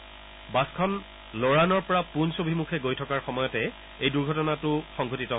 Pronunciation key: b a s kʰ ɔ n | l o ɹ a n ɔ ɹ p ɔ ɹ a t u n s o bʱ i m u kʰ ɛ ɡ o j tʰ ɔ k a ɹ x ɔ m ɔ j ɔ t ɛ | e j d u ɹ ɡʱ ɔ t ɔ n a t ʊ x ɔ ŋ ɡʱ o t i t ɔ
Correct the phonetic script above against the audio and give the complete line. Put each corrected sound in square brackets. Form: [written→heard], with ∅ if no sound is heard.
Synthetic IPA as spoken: b a s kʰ ɔ n | l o ɹ a n ɔ ɹ p ɔ ɹ a [t→p] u n s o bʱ i m u kʰ ɛ ɡ o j tʰ ɔ k a ɹ x ɔ m ɔ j ɔ t ɛ | e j d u ɹ ɡʱ ɔ t ɔ n a t ʊ x ɔ ŋ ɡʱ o t i t ɔ